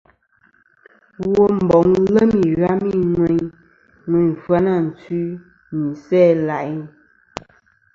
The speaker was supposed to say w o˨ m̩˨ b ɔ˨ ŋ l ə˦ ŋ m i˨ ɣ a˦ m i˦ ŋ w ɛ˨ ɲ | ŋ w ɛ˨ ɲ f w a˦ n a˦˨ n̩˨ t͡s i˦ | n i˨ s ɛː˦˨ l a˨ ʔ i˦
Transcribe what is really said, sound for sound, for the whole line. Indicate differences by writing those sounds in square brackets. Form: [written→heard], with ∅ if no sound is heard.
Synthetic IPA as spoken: w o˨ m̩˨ b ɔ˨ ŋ l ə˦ [ŋ→∅] m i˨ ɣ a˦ m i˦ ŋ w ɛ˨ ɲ | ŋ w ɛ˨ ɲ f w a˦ n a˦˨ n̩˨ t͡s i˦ | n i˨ s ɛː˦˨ l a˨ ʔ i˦